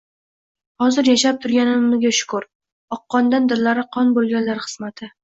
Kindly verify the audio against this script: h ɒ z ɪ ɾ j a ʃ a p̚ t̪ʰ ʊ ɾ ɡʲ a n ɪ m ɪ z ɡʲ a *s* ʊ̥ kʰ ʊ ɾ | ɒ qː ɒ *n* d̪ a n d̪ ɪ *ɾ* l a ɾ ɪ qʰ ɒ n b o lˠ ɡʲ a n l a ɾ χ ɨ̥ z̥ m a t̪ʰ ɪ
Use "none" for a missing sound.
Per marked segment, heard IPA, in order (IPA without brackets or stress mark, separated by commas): ʃ, n, ɾ